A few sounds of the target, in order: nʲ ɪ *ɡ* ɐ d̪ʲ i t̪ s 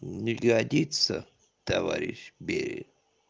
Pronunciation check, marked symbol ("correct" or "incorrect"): correct